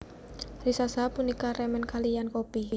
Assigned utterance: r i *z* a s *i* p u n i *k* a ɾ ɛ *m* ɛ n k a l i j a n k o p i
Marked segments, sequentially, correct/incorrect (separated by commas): incorrect, incorrect, correct, correct